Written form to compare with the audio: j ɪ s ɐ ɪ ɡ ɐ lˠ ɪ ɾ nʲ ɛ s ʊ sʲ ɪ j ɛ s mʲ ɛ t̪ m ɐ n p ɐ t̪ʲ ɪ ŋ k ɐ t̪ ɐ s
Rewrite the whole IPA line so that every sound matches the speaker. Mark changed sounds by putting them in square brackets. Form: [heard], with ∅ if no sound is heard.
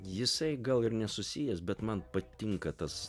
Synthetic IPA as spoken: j ɪ s ɐ ɪ ɡ ɐ lˠ ɪ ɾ nʲ ɛ s ʊ sʲ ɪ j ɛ s [bʲ] ɛ t̪ m ɐ n p ɐ t̪ʲ ɪ ŋ k ɐ t̪ ɐ s